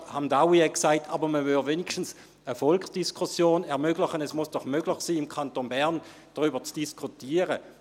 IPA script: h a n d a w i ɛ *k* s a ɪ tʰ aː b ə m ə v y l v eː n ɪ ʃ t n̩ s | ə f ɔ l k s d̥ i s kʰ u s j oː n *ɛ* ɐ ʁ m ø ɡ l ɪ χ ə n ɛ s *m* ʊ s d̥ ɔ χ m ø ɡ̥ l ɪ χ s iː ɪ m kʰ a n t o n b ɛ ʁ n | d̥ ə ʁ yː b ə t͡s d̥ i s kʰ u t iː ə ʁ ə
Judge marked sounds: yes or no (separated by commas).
yes, yes, yes